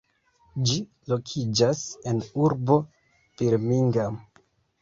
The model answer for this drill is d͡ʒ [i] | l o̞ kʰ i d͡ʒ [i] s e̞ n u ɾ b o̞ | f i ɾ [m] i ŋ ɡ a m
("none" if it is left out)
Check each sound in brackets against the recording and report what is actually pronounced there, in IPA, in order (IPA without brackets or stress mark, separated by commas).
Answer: i, a, m